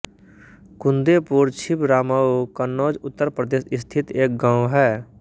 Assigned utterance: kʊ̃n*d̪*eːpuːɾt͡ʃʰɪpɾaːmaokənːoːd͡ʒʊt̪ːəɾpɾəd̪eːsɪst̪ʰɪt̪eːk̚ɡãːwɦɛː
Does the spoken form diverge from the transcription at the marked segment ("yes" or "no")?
no